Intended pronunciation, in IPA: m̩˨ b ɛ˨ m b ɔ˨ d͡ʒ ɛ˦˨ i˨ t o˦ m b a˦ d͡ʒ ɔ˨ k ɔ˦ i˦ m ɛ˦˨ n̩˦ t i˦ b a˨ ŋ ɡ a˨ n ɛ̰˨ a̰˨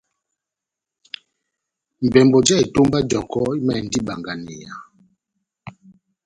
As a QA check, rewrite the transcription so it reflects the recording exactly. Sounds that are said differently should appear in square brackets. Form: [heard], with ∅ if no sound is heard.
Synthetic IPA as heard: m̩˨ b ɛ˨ m b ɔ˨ d͡ʒ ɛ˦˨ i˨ t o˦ m b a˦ d͡ʒ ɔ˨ k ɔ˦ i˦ m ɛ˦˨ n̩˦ [d] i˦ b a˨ ŋ ɡ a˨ n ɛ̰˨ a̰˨